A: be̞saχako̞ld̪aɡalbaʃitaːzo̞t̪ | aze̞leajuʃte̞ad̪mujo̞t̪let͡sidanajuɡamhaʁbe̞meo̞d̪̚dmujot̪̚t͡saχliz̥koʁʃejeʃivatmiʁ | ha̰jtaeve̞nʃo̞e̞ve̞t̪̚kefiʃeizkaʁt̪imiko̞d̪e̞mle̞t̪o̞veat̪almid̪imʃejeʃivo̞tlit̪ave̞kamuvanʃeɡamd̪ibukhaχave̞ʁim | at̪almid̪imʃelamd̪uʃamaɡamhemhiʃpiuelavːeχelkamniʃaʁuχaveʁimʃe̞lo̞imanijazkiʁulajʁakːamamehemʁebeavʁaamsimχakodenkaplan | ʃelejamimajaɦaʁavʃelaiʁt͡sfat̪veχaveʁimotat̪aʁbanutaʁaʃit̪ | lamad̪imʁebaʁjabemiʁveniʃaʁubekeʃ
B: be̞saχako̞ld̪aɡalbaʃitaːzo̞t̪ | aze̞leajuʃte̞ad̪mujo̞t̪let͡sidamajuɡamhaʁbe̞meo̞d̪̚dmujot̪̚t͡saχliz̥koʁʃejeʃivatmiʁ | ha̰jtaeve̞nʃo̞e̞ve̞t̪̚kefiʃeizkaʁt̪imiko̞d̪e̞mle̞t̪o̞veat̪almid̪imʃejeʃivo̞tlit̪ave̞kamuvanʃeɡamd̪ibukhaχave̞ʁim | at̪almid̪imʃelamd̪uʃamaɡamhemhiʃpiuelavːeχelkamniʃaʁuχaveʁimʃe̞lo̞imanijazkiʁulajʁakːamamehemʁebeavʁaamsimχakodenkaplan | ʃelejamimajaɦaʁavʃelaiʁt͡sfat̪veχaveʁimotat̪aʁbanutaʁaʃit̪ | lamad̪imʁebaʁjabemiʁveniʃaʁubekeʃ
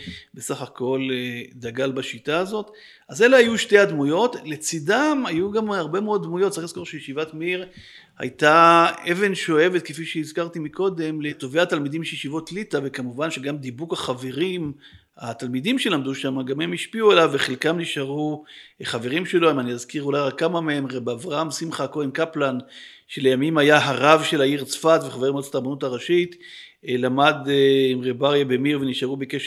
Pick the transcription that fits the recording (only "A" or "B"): B